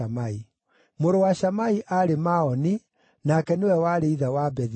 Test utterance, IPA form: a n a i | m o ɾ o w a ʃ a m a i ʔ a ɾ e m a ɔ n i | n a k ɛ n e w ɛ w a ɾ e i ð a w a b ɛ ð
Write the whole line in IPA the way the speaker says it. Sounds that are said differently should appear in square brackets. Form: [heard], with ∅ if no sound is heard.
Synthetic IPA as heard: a [m] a i | m o ɾ o w a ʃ a m a i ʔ a ɾ e m a ɔ n i | n a k ɛ n e w ɛ w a ɾ e i ð a w a b ɛ ð